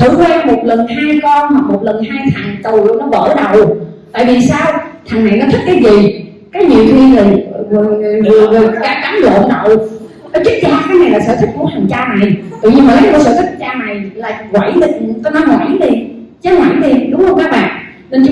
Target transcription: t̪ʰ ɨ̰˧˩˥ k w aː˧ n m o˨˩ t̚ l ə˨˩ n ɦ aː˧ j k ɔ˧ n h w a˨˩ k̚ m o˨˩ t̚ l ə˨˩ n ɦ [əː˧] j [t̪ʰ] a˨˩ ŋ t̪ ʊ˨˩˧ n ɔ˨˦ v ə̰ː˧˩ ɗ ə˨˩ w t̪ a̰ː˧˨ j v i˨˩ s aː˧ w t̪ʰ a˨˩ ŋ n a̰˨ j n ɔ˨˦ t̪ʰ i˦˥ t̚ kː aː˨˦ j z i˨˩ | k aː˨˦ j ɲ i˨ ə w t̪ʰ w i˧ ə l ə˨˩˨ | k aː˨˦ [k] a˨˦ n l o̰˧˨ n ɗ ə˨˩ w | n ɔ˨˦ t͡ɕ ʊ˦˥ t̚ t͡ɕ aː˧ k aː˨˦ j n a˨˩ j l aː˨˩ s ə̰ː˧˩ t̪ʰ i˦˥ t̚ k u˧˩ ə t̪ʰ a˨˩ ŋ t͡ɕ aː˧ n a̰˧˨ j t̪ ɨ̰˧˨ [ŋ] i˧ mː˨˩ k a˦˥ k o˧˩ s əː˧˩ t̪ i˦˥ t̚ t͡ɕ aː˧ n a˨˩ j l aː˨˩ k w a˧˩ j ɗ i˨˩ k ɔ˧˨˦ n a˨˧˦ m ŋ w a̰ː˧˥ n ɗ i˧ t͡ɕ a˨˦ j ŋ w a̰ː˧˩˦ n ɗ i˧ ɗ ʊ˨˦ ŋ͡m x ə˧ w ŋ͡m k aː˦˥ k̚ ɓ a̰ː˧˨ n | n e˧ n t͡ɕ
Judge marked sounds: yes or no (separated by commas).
no, yes, yes, no